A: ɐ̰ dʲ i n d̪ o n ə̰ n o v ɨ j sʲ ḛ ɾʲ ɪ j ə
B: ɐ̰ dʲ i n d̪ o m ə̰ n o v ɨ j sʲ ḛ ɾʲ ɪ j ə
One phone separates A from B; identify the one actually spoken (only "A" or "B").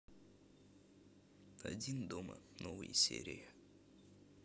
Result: B